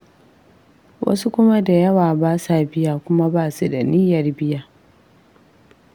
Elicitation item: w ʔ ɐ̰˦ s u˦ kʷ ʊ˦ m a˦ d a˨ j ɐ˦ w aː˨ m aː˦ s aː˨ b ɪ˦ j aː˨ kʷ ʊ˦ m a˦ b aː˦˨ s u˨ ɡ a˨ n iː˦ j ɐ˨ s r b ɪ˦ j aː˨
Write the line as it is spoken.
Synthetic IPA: w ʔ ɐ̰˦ s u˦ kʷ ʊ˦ m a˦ d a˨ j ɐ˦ w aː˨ b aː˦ s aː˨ b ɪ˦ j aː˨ kʷ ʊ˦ m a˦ b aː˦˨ s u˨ d a˨ n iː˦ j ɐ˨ r b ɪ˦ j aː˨